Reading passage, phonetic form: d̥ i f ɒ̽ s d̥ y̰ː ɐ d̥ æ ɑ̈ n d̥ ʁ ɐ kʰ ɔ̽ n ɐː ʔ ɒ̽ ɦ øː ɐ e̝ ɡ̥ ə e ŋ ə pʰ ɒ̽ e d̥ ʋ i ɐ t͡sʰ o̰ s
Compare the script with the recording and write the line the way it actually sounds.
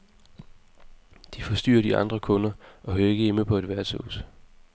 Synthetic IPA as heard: d̥ i f ɒ̽ s d̥ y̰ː ɐ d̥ i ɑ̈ n d̥ ʁ ɐ kʰ ɔ̽ n ɐ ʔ ɒ̽ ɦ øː ɐ e̝ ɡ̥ ə e m ə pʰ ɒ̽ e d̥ ʋ æ ɐ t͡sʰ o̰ s